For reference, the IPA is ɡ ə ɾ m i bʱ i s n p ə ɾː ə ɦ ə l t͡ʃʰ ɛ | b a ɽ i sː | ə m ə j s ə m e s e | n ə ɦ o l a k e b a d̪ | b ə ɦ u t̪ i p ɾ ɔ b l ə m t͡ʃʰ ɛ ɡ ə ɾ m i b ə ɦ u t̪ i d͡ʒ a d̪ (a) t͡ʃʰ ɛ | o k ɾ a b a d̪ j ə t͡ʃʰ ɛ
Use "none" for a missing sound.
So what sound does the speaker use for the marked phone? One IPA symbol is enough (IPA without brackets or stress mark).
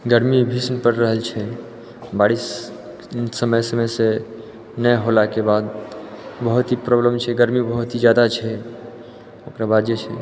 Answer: a